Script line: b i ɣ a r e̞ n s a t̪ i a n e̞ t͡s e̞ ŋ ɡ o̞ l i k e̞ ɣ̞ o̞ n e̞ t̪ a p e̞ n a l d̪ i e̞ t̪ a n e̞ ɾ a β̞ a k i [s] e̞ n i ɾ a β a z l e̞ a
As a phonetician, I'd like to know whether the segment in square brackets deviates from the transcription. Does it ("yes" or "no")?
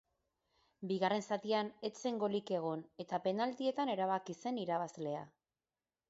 no